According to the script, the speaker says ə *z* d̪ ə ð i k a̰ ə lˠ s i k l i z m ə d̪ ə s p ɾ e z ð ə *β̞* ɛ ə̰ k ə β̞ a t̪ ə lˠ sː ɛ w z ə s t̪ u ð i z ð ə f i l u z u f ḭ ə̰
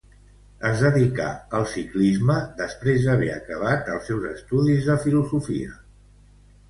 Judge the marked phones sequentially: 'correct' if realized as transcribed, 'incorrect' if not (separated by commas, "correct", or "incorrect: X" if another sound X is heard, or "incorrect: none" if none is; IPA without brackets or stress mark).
correct, correct